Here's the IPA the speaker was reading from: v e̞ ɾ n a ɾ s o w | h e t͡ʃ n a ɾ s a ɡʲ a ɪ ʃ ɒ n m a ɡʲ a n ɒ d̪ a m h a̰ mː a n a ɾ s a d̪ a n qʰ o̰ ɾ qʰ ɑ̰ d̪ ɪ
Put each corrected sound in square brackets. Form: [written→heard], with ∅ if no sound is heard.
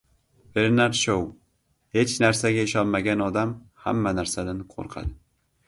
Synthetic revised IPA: v e̞ ɾ n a ɾ [s→ʃ] o w | h e t͡ʃ n a ɾ s a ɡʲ a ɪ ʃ ɒ n m a ɡʲ a n ɒ d̪ a m h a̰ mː a n a ɾ s a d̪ a n qʰ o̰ ɾ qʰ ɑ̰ d̪ ɪ